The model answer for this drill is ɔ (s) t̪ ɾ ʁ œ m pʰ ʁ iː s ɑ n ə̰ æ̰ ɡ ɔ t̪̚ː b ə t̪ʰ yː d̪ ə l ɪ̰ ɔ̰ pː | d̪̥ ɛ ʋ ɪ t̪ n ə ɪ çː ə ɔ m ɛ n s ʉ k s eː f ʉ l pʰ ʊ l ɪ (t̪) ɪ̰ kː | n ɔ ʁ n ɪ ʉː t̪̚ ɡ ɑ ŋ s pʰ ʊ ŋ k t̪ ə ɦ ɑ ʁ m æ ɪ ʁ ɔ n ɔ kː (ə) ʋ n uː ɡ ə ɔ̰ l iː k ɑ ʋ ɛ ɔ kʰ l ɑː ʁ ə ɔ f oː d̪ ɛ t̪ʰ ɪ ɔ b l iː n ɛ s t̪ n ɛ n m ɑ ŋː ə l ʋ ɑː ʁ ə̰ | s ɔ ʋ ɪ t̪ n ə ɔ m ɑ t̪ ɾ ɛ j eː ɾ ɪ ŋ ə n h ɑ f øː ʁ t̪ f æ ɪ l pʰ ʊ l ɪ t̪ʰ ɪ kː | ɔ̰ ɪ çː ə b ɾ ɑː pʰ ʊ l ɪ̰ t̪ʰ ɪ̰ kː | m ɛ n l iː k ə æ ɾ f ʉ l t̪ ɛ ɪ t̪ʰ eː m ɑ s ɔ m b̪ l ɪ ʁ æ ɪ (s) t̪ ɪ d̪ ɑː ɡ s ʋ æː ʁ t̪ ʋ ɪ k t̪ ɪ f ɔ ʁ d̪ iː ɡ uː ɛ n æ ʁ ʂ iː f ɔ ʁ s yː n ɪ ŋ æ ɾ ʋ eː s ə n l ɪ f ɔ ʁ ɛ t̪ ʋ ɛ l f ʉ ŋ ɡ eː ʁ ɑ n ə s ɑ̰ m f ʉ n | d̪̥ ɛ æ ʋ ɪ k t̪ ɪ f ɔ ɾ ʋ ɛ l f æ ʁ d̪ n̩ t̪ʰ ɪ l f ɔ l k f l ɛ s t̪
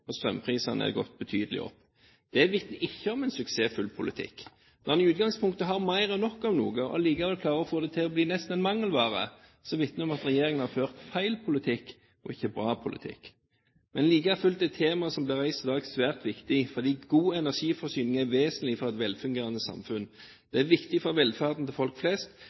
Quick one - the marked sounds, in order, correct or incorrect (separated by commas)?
correct, incorrect, incorrect, correct